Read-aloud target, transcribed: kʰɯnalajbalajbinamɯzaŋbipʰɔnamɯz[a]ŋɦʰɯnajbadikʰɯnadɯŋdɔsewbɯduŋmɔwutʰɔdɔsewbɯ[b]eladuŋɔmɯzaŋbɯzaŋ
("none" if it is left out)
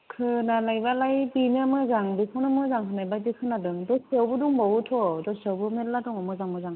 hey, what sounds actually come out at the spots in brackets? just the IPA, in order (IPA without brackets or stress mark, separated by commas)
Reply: a, m